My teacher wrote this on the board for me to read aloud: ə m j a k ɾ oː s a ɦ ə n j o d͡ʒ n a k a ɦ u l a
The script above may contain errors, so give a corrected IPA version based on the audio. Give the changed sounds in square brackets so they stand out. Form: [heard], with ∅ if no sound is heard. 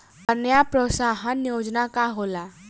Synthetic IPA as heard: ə [n] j a [p] ɾ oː s a ɦ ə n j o d͡ʒ n a k a ɦ [o] l a